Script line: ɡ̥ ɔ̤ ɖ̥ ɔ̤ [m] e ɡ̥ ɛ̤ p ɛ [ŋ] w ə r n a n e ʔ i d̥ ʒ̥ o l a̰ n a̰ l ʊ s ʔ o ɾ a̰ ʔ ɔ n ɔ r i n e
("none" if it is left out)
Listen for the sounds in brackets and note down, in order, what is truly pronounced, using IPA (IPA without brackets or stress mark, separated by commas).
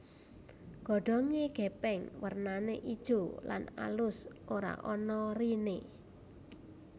ŋ, ŋ